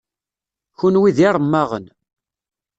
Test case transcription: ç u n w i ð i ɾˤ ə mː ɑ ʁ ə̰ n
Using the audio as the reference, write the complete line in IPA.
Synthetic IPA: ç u n w i ð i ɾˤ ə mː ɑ ʁ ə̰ n